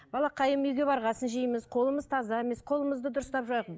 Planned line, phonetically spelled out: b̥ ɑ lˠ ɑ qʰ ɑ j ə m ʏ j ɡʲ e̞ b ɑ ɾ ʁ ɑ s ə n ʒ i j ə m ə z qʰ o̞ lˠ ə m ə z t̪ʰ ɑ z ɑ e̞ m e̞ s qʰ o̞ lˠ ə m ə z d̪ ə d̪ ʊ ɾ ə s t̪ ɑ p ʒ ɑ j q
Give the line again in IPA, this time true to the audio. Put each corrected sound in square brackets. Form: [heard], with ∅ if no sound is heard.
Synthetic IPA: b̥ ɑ lˠ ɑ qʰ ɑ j ə m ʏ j ɡʲ e̞ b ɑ ɾ ʁ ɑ s ə n ʒ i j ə m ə z qʰ o̞ lˠ ə m ə z t̪ʰ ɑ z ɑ e̞ m e̞ s qʰ o̞ lˠ ə m ə z d̪ ə d̪ ʊ ɾ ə s t̪ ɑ p ʒ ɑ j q

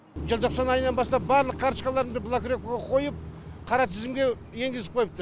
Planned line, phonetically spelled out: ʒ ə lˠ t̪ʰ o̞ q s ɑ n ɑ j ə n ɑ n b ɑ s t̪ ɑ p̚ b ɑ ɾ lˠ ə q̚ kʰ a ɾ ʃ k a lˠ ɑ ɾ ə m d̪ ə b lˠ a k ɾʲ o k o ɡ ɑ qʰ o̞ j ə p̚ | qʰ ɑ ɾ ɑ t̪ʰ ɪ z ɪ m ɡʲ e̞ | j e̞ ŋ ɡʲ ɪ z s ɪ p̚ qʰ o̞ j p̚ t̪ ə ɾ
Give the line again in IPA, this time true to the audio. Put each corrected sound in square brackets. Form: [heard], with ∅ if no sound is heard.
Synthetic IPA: ʒ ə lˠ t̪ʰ o̞ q s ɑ n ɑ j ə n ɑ n b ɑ s t̪ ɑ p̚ b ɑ ɾ lˠ ə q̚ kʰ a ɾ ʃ k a lˠ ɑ ɾ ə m d̪ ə b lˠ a k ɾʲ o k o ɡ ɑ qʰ o̞ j ə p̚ | qʰ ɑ ɾ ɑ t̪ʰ ɪ z ɪ m ɡʲ e̞ | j e̞ ŋ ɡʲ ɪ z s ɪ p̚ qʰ o̞ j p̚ t̪ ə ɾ

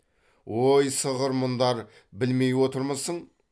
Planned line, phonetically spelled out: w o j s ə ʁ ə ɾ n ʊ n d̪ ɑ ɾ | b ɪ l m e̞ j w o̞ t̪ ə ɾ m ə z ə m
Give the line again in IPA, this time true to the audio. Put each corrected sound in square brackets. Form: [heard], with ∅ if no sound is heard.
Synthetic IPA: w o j s ə ʁ ə ɾ [m] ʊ n d̪ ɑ ɾ | b ɪ l m e̞ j w o̞ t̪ ə ɾ m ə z ə [ɴ]

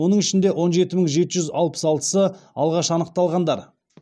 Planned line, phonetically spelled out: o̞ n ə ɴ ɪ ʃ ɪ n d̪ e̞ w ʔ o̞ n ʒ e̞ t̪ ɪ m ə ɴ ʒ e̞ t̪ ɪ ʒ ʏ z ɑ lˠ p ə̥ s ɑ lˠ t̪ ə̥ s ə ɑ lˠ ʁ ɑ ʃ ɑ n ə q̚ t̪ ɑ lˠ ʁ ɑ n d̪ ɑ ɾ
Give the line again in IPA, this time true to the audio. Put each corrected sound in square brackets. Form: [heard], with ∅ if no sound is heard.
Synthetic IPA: o̞ n ə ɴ ɪ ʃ ɪ n d̪ e̞ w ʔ o̞ n ʒ e̞ t̪ ɪ m ə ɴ ʒ e̞ t̪ ɪ ʒ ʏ z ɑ lˠ p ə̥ s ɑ lˠ t̪ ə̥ s ə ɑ lˠ ʁ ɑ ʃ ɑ n ə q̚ t̪ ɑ lˠ ʁ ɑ n d̪ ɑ ɾ

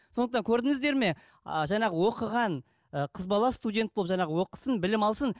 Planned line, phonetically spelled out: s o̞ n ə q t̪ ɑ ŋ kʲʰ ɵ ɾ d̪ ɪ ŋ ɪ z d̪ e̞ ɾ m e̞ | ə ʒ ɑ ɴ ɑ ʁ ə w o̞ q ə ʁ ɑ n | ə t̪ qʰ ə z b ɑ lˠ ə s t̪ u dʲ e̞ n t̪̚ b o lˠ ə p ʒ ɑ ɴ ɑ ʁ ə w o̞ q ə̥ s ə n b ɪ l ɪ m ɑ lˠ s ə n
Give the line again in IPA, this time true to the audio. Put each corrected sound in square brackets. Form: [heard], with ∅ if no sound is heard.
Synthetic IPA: s o̞ n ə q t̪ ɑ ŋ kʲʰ ɵ ɾ d̪ ɪ ŋ ɪ z d̪ e̞ ɾ m e̞ | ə ʒ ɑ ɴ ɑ ʁ ə w o̞ q ə ʁ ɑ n | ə [∅] qʰ ə z b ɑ lˠ [ɑ] s t̪ u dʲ e̞ n t̪̚ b o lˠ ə p ʒ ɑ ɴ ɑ ʁ ə w o̞ q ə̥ s ə n b ɪ l ɪ m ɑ lˠ s ə n

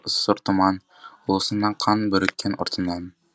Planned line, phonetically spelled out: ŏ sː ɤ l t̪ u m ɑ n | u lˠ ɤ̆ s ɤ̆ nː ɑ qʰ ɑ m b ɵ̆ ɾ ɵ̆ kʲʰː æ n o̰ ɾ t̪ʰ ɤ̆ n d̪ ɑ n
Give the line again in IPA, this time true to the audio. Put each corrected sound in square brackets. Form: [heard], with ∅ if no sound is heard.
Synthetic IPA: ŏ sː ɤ [ɾ] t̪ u m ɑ n | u lˠ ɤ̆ s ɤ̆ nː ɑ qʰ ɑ [n] b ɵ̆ ɾ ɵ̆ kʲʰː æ n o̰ ɾ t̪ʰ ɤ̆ n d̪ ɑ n

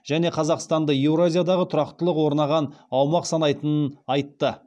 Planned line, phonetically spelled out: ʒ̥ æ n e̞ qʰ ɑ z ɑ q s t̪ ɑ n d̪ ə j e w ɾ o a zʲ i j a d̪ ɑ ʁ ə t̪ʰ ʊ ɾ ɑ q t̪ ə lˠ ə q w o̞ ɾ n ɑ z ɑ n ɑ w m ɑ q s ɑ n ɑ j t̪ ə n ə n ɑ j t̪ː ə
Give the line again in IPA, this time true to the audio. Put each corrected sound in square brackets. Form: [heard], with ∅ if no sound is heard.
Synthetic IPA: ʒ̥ æ n e̞ qʰ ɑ z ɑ q s t̪ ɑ n d̪ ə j e w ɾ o a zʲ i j a d̪ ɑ ʁ ə t̪ʰ ʊ ɾ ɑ q t̪ ə lˠ ə q w o̞ ɾ n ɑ [ʁ] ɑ n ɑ w m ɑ q s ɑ n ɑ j t̪ ə n ə n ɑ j t̪ː ə

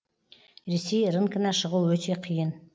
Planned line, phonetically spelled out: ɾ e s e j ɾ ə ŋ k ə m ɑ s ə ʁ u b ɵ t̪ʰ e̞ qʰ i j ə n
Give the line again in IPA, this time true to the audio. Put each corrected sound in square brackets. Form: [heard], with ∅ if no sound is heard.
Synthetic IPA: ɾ e s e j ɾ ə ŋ k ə [n] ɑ [ʃ] ə ʁ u [w] ɵ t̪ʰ e̞ qʰ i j ə n

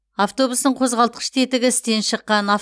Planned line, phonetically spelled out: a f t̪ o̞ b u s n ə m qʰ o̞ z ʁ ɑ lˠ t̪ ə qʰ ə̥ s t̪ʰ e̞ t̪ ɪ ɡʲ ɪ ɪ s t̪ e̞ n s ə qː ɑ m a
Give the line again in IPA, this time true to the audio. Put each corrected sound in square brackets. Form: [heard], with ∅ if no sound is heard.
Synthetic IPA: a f t̪ o̞ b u s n ə [ɴ] qʰ o̞ z ʁ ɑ lˠ t̪ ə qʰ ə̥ [ʃ] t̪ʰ e̞ t̪ ɪ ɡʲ ɪ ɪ s t̪ e̞ n [ʃ] ə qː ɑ [n] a

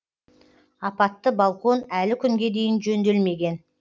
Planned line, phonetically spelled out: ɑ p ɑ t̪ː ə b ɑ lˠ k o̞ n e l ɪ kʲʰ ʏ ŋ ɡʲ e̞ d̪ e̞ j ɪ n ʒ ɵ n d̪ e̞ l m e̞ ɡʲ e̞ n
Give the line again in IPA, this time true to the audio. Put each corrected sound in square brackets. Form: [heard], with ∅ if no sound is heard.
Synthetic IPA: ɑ p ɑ t̪ː ə b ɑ lˠ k o̞ n [æ] l ɪ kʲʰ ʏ ŋ ɡʲ e̞ d̪ e̞ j ɪ n ʒ ɵ n d̪ e̞ l m e̞ ɡʲ e̞ n

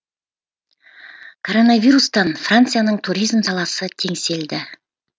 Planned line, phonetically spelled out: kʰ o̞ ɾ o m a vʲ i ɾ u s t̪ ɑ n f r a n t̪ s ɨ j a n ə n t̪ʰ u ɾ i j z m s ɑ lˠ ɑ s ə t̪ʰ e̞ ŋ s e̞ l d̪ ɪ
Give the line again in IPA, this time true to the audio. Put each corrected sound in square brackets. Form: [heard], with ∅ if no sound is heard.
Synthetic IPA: kʰ o̞ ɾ o [n] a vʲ i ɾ u s t̪ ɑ n f r a n t̪ s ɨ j a n ə [ɴ] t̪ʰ u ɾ i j z m s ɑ lˠ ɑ s ə t̪ʰ e̞ ŋ s e̞ l d̪ ɪ

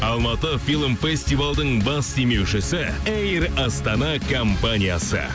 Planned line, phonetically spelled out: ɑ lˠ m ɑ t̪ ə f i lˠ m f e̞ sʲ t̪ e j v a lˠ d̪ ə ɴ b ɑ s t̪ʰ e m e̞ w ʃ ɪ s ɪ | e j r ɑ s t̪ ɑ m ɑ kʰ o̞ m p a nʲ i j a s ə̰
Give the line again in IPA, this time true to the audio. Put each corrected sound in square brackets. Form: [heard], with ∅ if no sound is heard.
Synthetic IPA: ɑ lˠ m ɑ t̪ ə f i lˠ m f e̞ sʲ t̪ [i] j v a lˠ d̪ ə ɴ b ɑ s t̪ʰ e m e̞ w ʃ ɪ s ɪ | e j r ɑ s t̪ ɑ [n] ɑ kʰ o̞ m p a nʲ i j a s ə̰

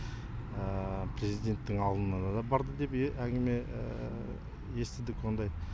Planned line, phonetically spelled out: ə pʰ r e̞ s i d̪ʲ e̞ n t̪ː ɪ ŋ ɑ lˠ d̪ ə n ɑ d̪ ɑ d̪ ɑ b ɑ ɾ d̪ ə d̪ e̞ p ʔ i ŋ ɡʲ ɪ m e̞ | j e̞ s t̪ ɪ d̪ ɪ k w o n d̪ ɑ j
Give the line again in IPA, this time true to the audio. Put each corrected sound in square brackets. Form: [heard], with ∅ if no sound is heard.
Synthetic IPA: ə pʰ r e̞ [z] i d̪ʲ e̞ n t̪ː ɪ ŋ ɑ lˠ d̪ ə n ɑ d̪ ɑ d̪ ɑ b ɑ ɾ d̪ ə d̪ e̞ p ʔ [æ] ŋ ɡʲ ɪ m e̞ | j e̞ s t̪ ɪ d̪ ɪ k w o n d̪ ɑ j

